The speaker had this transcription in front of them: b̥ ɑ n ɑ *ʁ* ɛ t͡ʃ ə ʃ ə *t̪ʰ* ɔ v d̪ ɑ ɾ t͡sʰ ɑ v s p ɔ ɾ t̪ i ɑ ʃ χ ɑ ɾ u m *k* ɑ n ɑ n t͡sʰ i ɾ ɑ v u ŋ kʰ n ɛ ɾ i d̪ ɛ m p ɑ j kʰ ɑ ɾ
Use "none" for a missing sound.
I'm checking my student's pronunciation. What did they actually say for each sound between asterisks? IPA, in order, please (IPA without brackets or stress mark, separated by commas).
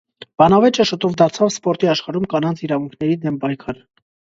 v, t̪, k